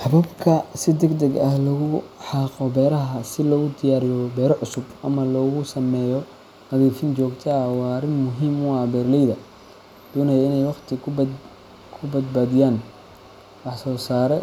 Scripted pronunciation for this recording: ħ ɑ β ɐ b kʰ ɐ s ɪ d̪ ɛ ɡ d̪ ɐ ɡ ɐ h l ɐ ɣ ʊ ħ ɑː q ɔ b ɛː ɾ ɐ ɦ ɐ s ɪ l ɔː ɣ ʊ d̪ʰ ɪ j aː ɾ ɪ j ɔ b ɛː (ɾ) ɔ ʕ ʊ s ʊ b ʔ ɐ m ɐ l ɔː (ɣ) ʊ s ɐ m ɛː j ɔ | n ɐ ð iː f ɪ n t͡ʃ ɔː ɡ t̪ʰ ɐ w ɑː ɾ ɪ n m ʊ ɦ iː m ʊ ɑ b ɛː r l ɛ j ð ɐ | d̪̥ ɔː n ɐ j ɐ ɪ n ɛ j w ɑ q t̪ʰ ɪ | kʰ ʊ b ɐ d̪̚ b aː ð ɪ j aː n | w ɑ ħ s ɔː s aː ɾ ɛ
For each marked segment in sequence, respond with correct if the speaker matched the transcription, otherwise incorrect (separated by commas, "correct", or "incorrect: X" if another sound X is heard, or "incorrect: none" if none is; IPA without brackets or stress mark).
correct, correct